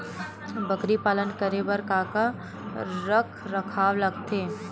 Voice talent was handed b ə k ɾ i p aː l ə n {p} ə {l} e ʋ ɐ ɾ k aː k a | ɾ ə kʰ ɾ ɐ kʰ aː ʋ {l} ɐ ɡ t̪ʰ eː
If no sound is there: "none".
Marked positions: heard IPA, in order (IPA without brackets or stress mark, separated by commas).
k, ɾ, l